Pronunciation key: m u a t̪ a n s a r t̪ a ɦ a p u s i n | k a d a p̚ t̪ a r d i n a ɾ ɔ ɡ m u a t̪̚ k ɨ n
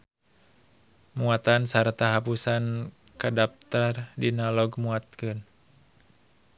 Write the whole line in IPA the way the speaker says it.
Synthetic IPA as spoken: m u a t̪ a n s a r t̪ a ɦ a p u s a n | k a d a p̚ t̪ a r d i n a l ɔ ɡ m u a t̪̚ k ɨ n